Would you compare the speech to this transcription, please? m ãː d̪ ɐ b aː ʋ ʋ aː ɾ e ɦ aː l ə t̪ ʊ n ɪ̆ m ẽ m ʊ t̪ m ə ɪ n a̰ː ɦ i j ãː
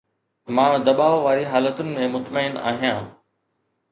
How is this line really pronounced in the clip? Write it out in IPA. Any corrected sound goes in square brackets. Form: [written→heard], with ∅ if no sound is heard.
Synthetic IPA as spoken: m ãː d̪ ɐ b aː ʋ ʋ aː ɾ [e→i] ɦ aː l ə t̪ ʊ n ɪ̆ m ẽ m ʊ t̪ m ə ɪ n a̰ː ɦ i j ãː